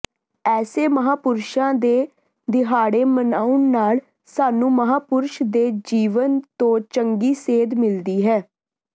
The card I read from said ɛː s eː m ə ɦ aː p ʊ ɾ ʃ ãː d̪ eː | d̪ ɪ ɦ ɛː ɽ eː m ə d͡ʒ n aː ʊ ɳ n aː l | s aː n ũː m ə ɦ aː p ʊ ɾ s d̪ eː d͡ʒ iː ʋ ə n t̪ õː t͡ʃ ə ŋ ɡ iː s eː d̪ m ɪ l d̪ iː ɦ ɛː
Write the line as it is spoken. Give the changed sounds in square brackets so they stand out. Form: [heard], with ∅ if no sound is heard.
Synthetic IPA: ɛː s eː m ə ɦ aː p ʊ ɾ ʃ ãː d̪ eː | d̪ ɪ ɦ [aː] ɽ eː m ə [∅] n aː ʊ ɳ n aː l | s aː n ũː m ə ɦ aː p ʊ ɾ [ʃ] d̪ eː d͡ʒ iː ʋ ə n t̪ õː t͡ʃ ə ŋ ɡ iː s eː d̪ m ɪ l d̪ iː ɦ ɛː